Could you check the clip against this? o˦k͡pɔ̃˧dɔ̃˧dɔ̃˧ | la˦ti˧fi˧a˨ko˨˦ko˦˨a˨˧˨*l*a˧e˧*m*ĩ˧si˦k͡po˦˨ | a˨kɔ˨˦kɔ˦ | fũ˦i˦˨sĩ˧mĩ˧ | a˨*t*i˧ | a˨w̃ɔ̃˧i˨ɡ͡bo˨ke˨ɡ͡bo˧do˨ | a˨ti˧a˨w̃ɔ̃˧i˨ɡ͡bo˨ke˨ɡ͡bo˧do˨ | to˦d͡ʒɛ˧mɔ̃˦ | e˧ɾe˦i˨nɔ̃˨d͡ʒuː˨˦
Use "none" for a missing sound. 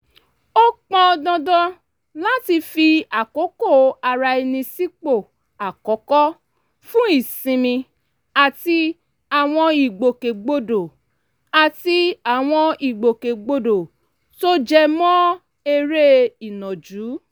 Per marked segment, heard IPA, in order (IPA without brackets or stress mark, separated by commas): ɾ, n, t